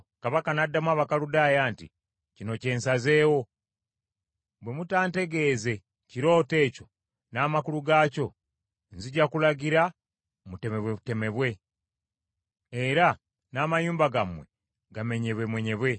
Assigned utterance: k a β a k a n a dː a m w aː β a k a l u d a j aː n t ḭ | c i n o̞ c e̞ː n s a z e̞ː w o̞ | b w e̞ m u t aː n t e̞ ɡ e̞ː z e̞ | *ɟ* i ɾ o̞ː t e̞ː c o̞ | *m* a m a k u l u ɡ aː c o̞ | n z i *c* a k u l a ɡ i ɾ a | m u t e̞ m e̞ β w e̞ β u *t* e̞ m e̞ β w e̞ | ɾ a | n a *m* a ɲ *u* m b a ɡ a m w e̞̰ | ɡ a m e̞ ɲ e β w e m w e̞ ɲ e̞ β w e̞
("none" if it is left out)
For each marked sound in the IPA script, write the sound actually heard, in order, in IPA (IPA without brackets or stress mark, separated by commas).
c, n, ɟ, t, m, uː